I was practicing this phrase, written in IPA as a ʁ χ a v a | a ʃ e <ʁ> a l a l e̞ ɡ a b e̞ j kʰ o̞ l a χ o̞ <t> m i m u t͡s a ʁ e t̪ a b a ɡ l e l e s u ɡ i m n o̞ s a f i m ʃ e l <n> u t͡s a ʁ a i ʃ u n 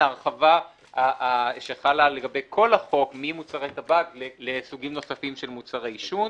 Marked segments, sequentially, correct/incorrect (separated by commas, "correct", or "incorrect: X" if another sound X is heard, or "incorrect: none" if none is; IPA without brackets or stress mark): incorrect: χ, incorrect: k, incorrect: m